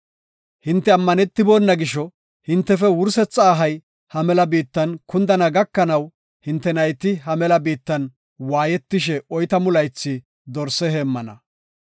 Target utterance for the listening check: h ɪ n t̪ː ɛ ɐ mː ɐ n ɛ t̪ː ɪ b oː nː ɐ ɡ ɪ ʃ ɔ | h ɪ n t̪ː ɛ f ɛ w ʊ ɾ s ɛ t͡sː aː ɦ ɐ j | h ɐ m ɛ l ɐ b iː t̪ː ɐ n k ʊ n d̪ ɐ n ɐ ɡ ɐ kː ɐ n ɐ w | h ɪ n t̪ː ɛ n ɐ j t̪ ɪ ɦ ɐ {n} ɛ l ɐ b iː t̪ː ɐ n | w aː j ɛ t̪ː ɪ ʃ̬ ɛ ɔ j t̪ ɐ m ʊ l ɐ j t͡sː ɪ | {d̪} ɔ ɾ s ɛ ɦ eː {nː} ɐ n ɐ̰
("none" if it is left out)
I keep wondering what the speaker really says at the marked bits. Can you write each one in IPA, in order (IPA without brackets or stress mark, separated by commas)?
m, d̪, mː